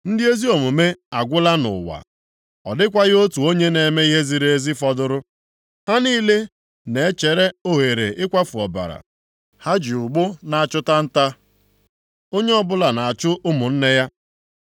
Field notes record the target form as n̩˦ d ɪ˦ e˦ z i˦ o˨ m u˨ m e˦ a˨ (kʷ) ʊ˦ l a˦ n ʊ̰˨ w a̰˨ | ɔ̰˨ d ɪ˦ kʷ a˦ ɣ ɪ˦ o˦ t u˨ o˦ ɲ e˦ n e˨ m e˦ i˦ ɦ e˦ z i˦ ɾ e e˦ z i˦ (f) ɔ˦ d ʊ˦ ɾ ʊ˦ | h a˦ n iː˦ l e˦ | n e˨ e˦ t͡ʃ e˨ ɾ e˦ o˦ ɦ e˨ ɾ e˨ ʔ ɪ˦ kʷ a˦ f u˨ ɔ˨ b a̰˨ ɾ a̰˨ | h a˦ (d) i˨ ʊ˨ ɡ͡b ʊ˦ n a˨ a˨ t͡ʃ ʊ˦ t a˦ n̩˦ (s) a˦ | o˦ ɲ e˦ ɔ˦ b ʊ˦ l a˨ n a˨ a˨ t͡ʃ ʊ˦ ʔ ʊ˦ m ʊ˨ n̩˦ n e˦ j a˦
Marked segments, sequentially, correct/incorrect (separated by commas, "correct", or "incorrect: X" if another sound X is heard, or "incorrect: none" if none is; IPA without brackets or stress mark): incorrect: ɡʷ, correct, incorrect: d͡ʒ, incorrect: t